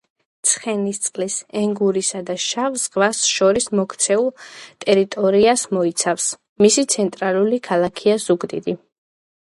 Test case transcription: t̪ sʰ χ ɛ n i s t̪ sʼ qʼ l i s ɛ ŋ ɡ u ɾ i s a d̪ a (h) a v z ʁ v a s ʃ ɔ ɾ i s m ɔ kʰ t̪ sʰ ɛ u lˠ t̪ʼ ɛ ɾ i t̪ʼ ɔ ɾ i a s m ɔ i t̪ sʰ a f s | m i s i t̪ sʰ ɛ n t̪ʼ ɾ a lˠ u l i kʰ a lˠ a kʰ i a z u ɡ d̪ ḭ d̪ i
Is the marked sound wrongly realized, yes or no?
yes